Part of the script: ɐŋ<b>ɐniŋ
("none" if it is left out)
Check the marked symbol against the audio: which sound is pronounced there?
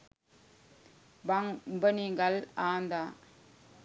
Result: b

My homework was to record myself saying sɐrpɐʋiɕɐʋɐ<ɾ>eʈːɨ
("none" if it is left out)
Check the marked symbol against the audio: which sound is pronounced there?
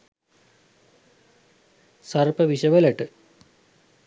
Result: l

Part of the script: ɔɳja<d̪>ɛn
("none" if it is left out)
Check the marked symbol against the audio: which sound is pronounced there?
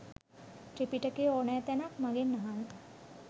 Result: t̪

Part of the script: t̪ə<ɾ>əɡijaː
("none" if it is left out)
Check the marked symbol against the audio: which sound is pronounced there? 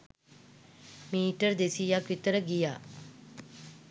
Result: ɾ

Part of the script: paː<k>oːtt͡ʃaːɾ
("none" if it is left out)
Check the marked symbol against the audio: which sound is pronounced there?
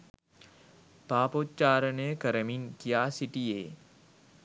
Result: p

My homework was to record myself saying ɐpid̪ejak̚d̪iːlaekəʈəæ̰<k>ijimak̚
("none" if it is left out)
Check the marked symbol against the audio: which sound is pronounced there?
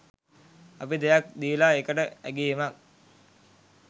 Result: ɡ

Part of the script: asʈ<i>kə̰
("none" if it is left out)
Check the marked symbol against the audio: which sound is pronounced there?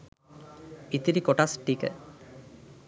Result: i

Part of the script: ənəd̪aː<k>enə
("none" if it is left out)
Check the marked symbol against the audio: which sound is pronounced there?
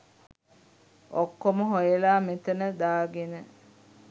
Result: ɡ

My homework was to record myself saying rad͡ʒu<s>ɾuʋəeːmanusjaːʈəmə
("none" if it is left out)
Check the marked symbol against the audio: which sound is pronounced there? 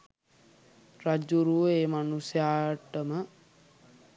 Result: none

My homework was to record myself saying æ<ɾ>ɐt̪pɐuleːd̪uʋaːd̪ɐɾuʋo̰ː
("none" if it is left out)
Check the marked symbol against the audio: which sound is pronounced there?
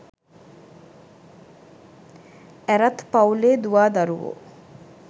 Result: ɾ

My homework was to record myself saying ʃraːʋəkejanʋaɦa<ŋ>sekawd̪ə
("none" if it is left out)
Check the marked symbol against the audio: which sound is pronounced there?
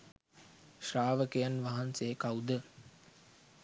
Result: n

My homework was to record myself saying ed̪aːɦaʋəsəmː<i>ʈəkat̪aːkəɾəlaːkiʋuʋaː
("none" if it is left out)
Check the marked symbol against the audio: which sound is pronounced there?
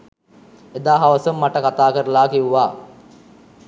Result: a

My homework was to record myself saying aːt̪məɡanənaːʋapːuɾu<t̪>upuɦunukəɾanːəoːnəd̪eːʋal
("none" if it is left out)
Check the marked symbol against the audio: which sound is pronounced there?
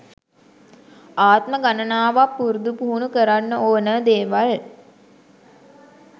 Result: d̪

